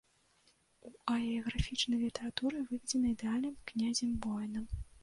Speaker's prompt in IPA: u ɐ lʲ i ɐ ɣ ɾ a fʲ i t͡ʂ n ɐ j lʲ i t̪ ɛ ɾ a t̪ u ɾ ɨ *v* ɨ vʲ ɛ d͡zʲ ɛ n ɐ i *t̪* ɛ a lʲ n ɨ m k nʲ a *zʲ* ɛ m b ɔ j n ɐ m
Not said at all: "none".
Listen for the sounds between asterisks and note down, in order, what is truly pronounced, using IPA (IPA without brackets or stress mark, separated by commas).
v, d̪, zʲ